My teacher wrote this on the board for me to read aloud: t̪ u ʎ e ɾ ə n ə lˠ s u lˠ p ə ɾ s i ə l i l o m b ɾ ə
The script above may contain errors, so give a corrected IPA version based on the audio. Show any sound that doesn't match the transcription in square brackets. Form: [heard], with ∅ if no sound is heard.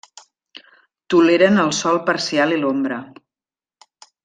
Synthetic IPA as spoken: t̪ u [l] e ɾ ə n ə lˠ s [ɔ] lˠ p ə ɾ s i [a] l i l o m b ɾ ə